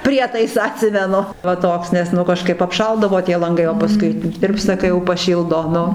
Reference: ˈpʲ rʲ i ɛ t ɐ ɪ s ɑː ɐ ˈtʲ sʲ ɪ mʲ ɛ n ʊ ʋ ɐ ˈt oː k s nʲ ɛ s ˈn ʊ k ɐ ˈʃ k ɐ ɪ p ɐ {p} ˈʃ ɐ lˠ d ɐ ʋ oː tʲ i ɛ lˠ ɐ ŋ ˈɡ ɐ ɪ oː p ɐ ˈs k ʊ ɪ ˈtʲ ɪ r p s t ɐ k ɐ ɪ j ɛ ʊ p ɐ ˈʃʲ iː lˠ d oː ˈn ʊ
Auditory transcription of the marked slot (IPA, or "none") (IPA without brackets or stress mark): p